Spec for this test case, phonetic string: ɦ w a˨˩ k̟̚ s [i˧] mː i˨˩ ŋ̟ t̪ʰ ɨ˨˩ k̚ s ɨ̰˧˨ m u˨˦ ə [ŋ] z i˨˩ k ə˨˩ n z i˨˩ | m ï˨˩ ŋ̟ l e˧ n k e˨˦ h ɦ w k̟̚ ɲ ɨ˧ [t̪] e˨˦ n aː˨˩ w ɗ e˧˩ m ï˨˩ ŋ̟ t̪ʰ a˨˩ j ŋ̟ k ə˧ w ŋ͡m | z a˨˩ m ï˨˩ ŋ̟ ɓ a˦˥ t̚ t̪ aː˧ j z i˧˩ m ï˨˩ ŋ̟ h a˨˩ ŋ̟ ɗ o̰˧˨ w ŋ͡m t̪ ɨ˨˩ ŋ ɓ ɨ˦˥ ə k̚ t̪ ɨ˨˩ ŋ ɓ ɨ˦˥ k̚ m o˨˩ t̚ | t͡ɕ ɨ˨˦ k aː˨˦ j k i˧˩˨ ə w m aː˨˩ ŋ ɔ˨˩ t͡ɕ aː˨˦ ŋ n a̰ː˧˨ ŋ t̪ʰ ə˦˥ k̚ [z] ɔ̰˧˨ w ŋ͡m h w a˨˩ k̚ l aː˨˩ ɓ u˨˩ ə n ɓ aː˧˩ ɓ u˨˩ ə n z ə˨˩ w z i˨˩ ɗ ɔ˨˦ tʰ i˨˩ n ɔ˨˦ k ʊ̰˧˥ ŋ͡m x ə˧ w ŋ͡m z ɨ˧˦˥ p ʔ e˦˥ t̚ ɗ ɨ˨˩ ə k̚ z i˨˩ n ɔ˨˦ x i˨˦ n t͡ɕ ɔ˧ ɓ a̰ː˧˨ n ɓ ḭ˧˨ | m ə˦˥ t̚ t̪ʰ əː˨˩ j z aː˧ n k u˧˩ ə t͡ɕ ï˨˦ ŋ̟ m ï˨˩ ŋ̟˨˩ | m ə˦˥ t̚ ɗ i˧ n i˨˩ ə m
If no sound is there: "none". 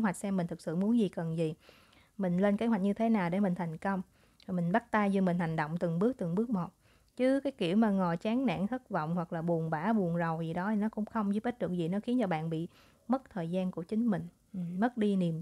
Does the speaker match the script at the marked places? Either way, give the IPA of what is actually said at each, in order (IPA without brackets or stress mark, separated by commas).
ɛ˧, n, t̪ʰ, v